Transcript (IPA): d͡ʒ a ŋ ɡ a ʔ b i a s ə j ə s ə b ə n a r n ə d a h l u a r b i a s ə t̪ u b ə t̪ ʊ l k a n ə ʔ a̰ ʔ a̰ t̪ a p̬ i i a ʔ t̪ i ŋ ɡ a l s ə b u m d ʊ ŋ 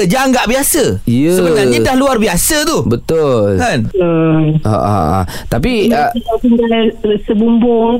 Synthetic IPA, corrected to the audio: d͡ʒ a ŋ ɡ a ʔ b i a s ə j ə s ə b ə n a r ɲ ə d a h l u a r b i a s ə t̪ u b ə t̪ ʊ l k a n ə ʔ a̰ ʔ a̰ t̪ a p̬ i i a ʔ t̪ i ŋ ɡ a l s ə b u m b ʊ ŋ